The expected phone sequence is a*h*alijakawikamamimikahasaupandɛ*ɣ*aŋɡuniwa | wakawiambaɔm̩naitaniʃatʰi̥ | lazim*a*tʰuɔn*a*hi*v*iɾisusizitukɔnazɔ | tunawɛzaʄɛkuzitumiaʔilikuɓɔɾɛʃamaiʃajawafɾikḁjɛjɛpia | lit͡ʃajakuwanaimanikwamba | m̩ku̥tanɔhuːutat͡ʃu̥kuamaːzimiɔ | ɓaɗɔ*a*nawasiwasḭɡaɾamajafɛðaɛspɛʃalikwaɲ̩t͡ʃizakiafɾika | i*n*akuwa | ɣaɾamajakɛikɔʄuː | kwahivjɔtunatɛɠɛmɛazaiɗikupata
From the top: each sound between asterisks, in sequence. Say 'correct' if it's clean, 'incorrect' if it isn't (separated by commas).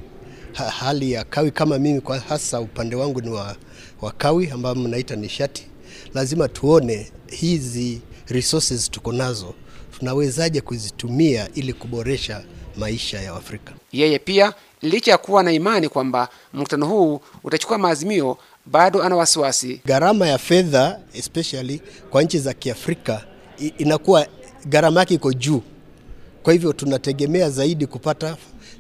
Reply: correct, incorrect, correct, incorrect, incorrect, correct, correct